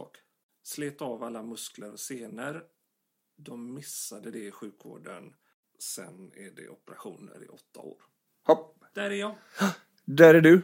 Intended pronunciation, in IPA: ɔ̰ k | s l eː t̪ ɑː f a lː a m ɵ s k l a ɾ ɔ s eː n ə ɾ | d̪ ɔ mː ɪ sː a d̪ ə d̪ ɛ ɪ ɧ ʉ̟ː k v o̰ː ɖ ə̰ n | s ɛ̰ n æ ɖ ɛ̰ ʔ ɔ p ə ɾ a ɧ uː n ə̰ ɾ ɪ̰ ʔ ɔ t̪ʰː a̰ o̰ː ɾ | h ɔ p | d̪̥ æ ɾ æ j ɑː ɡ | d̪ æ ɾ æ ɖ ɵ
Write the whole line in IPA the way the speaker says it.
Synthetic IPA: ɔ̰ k | s l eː t̪ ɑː v a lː a m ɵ s k l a ɾ ɔ s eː n ə ɾ | d̪ ɔ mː ɪ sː a d̪ ə d̪ ɛ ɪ ɧ ʉ̟ː k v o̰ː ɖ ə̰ n | s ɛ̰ n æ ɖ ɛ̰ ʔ ɔ p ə ɾ a ɧ uː n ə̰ ɾ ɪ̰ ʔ ɔ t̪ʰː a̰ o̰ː ɾ | h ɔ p | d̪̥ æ ɾ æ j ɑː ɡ | d̪ æ ɾ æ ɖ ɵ